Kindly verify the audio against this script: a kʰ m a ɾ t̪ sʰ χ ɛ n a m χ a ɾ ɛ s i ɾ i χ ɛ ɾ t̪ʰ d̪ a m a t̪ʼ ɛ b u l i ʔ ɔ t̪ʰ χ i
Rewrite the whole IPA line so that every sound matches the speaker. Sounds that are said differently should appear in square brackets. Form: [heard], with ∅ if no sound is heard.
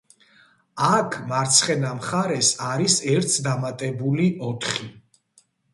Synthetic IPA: a kʰ m a ɾ t̪ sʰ χ ɛ n a m χ a ɾ ɛ s [a] ɾ i [s] ɛ ɾ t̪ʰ d̪ a m a t̪ʼ ɛ b u l i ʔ ɔ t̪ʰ χ i